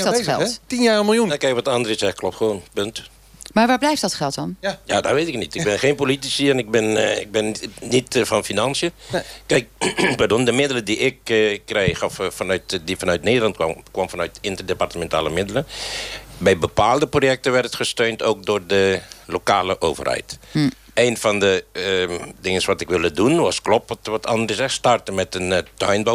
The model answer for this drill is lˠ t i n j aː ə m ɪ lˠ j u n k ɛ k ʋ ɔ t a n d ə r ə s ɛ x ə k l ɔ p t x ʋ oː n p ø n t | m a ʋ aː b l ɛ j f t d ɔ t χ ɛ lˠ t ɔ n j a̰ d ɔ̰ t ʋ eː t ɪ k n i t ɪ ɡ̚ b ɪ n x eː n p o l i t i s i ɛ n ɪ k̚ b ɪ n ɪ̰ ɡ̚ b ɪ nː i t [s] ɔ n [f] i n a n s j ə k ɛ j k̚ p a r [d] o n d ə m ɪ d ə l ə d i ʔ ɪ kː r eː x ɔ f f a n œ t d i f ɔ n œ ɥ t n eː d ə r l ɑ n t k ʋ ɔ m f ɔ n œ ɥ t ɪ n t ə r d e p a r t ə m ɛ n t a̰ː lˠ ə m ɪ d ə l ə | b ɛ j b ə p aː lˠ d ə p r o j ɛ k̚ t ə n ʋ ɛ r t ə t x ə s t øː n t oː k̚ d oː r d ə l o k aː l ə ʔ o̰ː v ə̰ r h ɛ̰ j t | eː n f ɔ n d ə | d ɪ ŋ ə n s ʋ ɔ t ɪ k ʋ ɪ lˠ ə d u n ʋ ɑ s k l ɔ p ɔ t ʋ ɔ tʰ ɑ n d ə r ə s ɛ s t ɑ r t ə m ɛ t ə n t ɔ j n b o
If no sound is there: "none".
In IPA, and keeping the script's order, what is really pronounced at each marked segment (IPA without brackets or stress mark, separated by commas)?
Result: f, f, d